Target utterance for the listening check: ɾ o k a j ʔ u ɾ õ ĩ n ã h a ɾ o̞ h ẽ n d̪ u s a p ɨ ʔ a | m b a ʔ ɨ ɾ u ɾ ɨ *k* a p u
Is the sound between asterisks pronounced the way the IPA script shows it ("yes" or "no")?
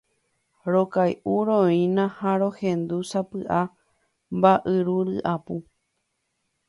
no